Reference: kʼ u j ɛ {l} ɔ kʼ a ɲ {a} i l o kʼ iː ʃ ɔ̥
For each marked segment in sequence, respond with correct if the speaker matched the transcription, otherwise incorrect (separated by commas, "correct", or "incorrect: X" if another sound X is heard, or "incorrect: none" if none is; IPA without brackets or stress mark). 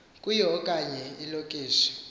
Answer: incorrect: none, incorrect: ɛ